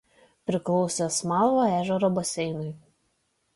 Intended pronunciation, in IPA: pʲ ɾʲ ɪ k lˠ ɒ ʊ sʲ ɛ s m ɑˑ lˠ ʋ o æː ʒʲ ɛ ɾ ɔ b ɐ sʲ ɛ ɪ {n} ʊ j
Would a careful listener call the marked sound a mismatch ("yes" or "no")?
no